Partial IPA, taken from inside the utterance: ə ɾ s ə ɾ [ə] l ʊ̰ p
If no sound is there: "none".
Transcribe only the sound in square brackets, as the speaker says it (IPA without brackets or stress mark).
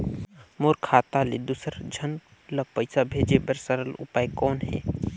ə